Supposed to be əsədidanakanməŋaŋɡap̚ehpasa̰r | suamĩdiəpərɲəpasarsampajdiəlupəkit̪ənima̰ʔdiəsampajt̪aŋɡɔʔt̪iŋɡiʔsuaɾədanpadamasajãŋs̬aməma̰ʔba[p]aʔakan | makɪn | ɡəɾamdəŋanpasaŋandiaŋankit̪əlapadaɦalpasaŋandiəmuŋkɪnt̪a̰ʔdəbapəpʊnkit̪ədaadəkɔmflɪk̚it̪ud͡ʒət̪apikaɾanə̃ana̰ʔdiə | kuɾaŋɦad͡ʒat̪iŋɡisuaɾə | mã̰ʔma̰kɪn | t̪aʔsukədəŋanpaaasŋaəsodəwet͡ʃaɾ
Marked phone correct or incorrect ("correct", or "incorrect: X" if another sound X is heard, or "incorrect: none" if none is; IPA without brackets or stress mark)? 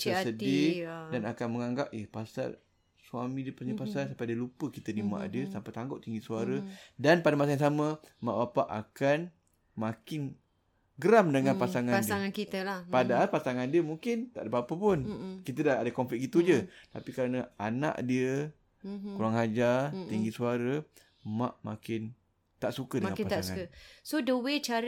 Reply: correct